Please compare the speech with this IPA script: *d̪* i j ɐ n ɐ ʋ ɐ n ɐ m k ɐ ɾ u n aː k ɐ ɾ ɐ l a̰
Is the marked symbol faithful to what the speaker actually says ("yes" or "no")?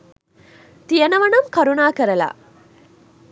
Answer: no